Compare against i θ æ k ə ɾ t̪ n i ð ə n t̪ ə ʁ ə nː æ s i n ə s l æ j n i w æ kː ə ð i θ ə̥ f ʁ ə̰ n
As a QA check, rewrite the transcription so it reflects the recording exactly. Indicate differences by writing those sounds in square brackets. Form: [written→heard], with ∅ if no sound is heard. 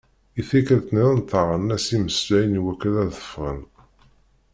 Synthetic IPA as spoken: i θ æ k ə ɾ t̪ n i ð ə n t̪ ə ʁ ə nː æ s i [n→m] ə s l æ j n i w æ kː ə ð [i→æ] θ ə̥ f ʁ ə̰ n